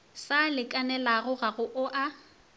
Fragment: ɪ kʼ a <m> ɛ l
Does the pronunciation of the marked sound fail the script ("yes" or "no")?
yes